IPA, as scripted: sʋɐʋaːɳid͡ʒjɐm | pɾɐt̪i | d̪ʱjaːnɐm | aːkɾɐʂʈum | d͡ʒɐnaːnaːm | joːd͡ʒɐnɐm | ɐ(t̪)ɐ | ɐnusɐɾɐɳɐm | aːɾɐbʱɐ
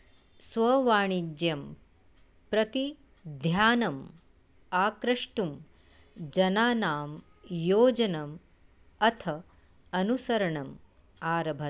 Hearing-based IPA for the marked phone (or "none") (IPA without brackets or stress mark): t̪ʰ